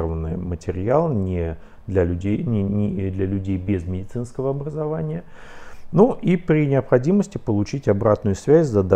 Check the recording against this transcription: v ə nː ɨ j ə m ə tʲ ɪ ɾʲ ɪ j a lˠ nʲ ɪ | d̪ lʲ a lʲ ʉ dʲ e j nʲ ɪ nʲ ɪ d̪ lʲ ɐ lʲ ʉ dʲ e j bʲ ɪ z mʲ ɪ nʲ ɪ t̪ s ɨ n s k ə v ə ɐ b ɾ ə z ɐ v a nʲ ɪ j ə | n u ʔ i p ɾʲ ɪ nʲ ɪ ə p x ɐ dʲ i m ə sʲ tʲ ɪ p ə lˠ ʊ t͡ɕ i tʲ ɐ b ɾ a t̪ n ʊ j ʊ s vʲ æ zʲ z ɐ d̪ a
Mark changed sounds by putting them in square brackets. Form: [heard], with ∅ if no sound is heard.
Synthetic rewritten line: v ə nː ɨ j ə m ə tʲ ɪ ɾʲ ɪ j a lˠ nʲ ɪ | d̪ lʲ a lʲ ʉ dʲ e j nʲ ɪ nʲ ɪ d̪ lʲ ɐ lʲ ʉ dʲ e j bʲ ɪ z mʲ ɪ [dʲ] ɪ t̪ s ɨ n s k ə v ə ɐ b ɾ ə z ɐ v a nʲ ɪ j ə | n u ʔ i p ɾʲ ɪ nʲ ɪ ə p x ɐ dʲ i m ə sʲ tʲ ɪ p ə lˠ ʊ t͡ɕ i tʲ ɐ b ɾ a t̪ n ʊ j ʊ s vʲ æ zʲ z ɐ d̪ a